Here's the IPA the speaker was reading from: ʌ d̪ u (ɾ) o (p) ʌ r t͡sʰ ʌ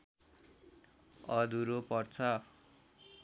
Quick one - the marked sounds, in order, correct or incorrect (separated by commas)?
correct, correct